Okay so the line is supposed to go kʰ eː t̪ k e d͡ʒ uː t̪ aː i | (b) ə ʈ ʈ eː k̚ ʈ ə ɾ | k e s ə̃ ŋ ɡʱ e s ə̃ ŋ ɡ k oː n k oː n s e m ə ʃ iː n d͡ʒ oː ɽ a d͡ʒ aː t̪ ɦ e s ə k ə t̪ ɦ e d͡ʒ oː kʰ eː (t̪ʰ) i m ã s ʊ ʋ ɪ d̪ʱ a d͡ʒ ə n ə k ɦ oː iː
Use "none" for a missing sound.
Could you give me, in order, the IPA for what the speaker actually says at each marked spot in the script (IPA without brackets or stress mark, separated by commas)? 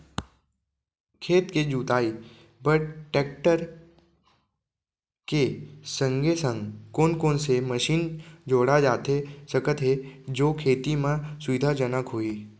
b, t̪